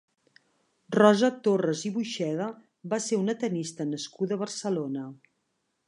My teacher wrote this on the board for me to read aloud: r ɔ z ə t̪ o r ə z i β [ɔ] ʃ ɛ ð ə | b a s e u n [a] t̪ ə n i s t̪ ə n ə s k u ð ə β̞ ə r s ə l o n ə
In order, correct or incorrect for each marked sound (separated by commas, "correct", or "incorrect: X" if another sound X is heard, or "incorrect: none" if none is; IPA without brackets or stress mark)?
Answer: incorrect: u, incorrect: ə